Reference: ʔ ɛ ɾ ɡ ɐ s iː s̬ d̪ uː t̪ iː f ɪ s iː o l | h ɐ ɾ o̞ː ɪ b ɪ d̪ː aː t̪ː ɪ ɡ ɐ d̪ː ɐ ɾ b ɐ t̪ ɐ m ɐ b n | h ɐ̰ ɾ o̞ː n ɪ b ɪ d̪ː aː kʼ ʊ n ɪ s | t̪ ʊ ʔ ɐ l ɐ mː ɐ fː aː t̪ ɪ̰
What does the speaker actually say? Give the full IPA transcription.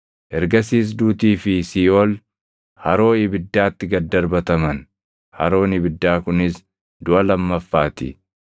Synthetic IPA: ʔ ɛ ɾ ɡ ɐ s iː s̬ d̪ uː t̪ iː f ɪ s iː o l | h ɐ ɾ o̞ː ɪ b ɪ d̪ː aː t̪ː ɪ ɡ ɐ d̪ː ɐ ɾ b ɐ t̪ ɐ m ɐ n | h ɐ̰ ɾ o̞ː n ɪ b ɪ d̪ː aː k ʊ n ɪ s | d̪ ʊ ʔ ɐ l ɐ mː ɐ fː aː t̪ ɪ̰